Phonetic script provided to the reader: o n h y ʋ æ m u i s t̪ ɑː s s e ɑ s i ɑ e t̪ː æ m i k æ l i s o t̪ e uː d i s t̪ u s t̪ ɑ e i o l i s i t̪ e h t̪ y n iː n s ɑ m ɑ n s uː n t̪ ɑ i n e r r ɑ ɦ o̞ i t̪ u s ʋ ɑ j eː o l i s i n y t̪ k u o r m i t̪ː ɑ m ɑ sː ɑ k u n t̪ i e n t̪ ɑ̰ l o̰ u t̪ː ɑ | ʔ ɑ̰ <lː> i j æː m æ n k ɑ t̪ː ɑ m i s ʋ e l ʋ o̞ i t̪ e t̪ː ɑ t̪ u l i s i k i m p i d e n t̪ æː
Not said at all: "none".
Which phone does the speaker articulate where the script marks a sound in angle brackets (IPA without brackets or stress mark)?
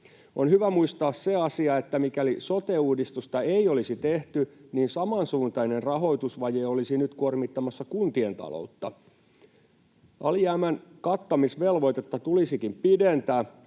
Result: l